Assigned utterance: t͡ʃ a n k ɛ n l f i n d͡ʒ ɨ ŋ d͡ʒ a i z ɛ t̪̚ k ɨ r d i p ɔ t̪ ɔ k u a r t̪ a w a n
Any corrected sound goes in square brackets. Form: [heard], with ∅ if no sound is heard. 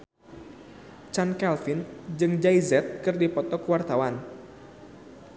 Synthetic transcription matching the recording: t͡ʃ a n k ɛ [∅] l f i n d͡ʒ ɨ ŋ d͡ʒ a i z ɛ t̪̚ k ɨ r d i p ɔ t̪ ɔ k [w] a r t̪ a w a n